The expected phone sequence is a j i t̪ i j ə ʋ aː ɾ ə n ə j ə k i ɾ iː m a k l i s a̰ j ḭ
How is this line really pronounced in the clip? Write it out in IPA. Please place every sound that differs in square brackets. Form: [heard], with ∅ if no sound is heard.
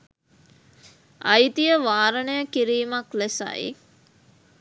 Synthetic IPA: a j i t̪ i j ə ʋ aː ɾ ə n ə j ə k i ɾ iː m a k l [e] s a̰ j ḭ